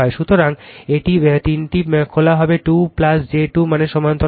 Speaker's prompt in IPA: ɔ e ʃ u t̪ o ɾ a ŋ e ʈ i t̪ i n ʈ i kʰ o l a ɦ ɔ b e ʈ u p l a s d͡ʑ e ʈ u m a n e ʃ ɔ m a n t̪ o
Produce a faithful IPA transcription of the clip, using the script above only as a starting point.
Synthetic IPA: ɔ e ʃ u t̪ o ɾ a ŋ e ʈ i t̪ i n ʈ i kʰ o l a ɦ ɔ b e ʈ u p l a s d͡ʑ e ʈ u m a n e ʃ ɔ m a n t̪ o